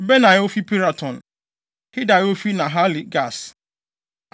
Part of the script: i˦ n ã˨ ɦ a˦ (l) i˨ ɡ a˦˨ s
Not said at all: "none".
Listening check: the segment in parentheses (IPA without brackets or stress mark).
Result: l